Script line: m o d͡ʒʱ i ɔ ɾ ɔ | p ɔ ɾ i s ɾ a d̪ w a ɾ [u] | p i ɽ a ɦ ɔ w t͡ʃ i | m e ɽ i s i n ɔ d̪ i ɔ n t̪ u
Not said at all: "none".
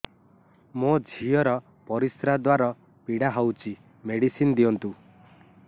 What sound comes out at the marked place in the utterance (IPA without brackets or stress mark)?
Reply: ɔ